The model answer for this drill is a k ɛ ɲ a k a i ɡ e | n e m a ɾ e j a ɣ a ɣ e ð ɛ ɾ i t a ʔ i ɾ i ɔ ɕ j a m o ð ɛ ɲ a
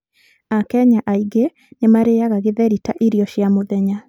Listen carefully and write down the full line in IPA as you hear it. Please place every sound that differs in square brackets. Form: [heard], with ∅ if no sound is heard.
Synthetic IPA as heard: a k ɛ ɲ a [ʔ] a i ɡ e | n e m a ɾ e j a ɣ a ɣ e ð ɛ ɾ i t a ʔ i ɾ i ɔ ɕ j a m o ð ɛ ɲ a